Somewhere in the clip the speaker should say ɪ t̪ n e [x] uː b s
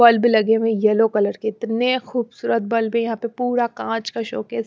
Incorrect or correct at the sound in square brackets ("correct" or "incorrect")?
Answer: correct